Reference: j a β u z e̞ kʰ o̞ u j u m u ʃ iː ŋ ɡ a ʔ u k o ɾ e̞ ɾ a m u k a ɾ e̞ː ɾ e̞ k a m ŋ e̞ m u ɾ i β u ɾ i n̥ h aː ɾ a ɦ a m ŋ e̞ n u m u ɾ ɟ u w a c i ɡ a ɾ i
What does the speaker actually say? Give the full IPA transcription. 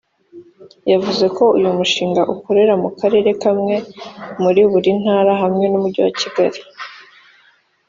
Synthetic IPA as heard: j a v u z e̞ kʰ o̞ u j u m u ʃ iː ŋ ɡ a ʔ u k o ɾ e̞ ɾ a m u k a ɾ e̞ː ɾ e̞ k a m ŋ e̞ m u ɾ i β u ɾ i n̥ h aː ɾ a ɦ a m ŋ e̞ n u m u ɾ ɟ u w a c i ɡ a ɾ i